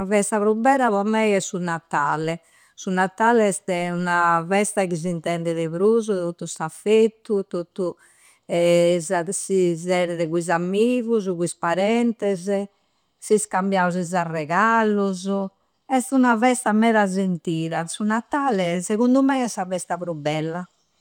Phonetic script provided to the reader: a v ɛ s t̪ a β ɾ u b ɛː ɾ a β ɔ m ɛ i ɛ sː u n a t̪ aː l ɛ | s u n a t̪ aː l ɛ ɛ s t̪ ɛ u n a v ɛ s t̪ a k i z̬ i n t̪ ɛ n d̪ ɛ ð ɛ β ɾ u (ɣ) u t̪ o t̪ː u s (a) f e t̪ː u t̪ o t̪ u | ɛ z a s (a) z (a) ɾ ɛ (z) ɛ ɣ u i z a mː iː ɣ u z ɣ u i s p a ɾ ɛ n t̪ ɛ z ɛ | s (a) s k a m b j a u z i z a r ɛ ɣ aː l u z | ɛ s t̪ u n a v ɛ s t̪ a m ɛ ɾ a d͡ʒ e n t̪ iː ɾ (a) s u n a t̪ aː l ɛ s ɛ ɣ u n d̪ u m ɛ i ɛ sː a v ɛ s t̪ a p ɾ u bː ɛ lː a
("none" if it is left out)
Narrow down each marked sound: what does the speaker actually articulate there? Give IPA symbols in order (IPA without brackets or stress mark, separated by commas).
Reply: z, a, i, ɛ, ð, i, a